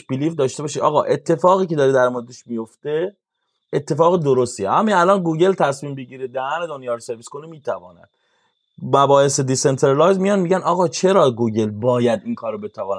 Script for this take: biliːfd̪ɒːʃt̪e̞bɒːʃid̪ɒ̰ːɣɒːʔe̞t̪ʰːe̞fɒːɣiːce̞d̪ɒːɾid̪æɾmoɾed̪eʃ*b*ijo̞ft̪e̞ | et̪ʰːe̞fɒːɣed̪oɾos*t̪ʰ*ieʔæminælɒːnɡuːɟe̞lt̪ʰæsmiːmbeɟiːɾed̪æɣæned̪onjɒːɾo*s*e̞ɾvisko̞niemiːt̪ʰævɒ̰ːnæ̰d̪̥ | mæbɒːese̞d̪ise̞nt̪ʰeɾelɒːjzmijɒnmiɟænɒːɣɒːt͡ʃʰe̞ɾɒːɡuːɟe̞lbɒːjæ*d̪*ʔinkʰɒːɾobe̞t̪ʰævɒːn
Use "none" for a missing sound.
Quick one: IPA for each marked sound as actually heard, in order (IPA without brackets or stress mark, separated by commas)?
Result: m, t̪, s, d̪